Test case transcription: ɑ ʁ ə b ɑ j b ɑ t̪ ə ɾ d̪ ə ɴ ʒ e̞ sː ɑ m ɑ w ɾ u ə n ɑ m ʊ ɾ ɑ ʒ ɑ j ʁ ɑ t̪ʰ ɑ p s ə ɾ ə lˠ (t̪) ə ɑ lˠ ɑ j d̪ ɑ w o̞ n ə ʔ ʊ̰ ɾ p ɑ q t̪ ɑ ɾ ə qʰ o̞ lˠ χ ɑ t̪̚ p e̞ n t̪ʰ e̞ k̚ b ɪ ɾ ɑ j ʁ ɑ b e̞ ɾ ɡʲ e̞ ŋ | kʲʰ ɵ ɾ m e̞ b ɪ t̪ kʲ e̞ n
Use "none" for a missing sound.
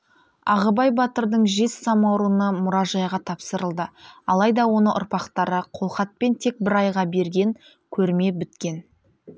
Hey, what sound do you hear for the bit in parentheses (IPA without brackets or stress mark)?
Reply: d̪